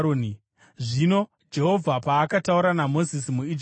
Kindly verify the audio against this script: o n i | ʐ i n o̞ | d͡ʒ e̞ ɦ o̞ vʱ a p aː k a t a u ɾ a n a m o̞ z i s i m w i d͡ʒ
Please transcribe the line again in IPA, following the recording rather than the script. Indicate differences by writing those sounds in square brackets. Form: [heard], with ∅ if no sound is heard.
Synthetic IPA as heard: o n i | ʐ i n o̞ | d͡ʒ e̞ ɦ o̞ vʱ a p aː k a t a u ɾ a n a m o̞ z i s i m [u] i d͡ʒ